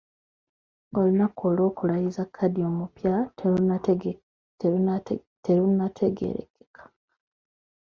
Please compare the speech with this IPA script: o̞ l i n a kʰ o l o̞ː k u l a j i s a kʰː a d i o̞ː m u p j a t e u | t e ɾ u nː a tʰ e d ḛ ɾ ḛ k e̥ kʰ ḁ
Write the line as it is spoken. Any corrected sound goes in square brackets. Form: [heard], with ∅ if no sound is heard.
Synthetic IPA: o̞ l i n a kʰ o l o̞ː k u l a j i [z] a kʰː a d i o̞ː m u p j a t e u | t e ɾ u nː a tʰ e [ɡ] ḛ ɾ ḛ k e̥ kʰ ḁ